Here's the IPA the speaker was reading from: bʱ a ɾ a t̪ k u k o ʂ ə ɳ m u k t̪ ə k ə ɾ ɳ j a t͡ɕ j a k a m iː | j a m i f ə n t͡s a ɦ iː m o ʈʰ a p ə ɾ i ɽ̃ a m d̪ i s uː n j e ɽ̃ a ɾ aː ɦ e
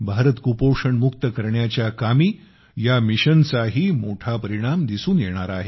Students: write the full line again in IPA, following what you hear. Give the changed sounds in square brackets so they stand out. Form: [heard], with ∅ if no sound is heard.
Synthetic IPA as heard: bʱ a ɾ [ə] t̪ k u [p] o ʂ ə ɳ m u k t̪ ə k ə ɾ ɳ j a t͡ɕ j a k a m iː | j a m i [ɕ] ə n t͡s a ɦ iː m o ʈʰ a p ə ɾ i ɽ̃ a m d̪ i s uː n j e ɽ̃ a ɾ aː ɦ e